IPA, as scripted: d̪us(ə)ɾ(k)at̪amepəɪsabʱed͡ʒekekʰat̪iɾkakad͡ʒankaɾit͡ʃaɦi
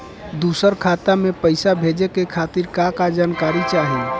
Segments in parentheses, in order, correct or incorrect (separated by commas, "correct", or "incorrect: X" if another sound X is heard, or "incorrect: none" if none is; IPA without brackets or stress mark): correct, incorrect: kʰ